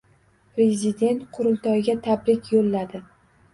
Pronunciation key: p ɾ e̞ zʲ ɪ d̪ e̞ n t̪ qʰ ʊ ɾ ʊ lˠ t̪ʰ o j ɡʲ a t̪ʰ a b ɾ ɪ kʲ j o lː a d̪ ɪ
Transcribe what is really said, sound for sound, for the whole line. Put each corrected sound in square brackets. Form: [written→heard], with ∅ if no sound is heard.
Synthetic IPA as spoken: p ɾ e̞ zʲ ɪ d̪ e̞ n t̪ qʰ ʊ ɾ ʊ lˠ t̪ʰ [o→ɒ] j ɡʲ a t̪ʰ a b ɾ ɪ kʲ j o lː a d̪ ɪ